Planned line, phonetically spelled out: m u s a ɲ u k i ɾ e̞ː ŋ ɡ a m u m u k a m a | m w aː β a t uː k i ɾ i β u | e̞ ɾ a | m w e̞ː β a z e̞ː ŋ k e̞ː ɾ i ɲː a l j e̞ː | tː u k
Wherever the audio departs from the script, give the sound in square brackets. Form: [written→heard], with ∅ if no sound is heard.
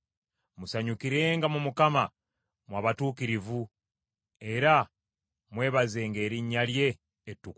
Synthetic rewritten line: m u s a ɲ u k i ɾ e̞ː ŋ ɡ a m u m u k a m a | m w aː β a t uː k i ɾ i [β→v] u | e̞ ɾ a | m w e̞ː β a z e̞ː ŋ [k→ɡ] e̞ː ɾ i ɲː a l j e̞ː | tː u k